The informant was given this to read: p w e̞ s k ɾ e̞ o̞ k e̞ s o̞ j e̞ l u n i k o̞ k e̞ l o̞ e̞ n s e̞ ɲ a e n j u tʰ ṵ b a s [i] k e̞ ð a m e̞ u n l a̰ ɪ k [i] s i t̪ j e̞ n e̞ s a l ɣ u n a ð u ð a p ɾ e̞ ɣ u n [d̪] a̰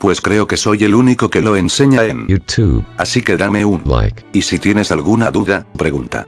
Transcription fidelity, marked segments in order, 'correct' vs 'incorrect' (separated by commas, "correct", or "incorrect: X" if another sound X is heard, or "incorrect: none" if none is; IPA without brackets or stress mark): correct, correct, incorrect: t̪